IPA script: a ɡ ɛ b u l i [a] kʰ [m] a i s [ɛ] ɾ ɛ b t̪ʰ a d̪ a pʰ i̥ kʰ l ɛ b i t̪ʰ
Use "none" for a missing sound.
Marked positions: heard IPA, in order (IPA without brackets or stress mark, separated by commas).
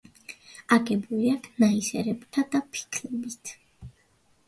a, n, ɛ